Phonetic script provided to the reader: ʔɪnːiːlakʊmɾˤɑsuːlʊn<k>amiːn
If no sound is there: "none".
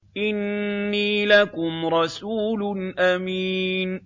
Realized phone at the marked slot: ʔ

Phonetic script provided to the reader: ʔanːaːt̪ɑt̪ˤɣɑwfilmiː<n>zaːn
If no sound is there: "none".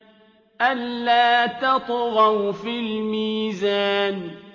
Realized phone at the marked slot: none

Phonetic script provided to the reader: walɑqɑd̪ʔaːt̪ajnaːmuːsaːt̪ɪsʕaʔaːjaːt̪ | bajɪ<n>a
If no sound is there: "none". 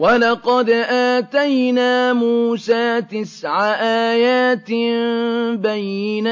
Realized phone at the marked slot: n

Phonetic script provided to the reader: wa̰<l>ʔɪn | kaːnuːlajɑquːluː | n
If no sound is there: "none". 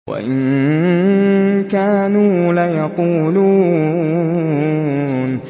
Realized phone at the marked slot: none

